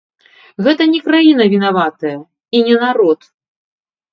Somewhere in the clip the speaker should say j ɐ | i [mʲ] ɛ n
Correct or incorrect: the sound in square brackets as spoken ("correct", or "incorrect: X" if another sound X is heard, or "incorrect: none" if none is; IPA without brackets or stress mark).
incorrect: nʲ